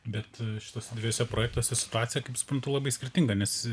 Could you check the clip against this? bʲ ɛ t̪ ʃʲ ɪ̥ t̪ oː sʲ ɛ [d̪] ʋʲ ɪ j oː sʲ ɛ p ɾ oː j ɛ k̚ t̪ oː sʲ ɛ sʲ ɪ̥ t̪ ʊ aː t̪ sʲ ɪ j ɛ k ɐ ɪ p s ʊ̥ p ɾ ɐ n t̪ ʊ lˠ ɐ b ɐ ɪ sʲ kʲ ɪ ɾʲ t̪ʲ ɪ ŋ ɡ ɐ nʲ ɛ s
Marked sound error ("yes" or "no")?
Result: no